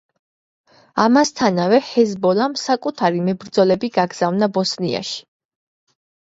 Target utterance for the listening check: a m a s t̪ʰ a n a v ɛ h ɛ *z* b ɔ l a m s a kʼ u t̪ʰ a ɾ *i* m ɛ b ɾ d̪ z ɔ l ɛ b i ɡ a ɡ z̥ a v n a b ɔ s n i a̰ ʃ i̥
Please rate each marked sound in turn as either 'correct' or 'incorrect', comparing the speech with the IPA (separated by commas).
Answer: correct, correct